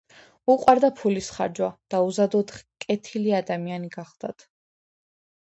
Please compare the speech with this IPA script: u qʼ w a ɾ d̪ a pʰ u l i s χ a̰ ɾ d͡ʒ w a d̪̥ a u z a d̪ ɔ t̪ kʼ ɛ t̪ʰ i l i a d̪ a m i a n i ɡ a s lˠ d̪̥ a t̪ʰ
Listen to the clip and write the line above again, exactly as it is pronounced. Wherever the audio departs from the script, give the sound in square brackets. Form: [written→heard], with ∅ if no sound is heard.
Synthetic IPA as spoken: u qʼ w a ɾ d̪ a pʰ u l i s χ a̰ ɾ d͡ʒ w a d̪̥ a u z a d̪ ɔ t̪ kʼ ɛ t̪ʰ i l i a d̪ a m i a n i ɡ a [s→χ] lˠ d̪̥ a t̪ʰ

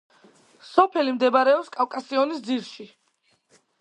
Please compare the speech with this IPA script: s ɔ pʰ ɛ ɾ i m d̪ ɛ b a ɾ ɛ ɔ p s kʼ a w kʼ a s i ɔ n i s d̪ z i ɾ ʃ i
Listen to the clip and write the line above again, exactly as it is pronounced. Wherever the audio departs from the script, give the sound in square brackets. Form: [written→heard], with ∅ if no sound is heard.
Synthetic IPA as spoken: s ɔ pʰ ɛ [ɾ→l] i m d̪ ɛ b a ɾ ɛ ɔ p s kʼ a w kʼ a s i ɔ n i s d̪ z i ɾ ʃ i

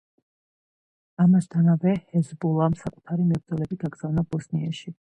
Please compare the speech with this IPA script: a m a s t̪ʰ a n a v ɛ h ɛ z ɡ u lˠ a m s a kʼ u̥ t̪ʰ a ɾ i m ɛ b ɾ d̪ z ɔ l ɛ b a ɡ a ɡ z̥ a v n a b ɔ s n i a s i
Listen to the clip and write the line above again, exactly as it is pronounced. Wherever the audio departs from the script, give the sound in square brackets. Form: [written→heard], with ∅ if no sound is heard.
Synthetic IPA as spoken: a m a s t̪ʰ a n a v ɛ h ɛ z [ɡ→b] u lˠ a m s a kʼ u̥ t̪ʰ a ɾ i m ɛ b ɾ d̪ z ɔ l ɛ b [a→i] ɡ a ɡ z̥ a v n a b ɔ s n i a [s→ʃ] i

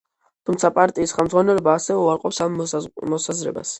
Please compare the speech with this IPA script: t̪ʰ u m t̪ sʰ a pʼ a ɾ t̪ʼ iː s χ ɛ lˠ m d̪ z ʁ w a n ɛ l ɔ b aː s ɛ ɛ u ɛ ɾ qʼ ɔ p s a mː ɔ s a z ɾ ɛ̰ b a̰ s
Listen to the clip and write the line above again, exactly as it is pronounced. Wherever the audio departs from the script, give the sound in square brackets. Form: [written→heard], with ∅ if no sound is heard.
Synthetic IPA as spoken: t̪ʰ u m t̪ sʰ a pʼ a ɾ t̪ʼ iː s χ ɛ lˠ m d̪ z ʁ w a n ɛ l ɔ b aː s ɛ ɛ u [ɛ→a] ɾ qʼ ɔ p s a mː ɔ s a z ɾ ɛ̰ b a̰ s

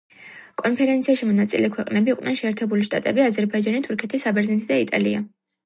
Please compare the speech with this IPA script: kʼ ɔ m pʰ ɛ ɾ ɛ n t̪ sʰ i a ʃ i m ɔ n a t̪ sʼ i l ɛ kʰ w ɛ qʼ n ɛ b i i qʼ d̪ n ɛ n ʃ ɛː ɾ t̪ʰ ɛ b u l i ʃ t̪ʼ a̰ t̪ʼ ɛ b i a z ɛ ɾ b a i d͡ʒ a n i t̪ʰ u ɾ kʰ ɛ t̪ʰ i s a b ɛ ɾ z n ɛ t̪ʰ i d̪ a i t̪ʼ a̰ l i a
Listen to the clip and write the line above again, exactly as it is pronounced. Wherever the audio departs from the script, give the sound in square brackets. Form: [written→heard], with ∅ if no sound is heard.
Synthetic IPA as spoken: kʼ ɔ [m→n] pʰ ɛ ɾ ɛ n t̪ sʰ i a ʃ i m ɔ n a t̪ sʼ i l ɛ kʰ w ɛ qʼ n ɛ b i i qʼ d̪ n ɛ n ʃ ɛː ɾ t̪ʰ ɛ b u l i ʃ t̪ʼ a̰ t̪ʼ ɛ b i a z ɛ ɾ b a i d͡ʒ a n i t̪ʰ u ɾ kʰ ɛ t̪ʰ i s a b ɛ ɾ z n ɛ t̪ʰ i d̪ a i t̪ʼ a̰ l i a

